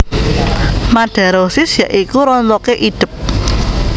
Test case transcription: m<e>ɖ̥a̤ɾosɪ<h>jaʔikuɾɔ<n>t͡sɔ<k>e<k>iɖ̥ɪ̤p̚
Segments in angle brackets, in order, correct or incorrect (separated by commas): incorrect, incorrect, correct, correct, incorrect